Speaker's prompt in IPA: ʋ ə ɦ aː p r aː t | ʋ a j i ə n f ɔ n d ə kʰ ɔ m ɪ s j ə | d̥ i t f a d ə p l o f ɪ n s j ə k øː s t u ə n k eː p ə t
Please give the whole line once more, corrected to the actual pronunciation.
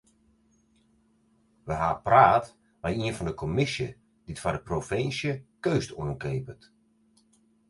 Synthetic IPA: ʋ ə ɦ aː p r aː t | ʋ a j i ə n f ɔ n d ə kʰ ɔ m ɪ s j ə | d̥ i t f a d ə p r o f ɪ n s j ə k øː s t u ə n k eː p ə t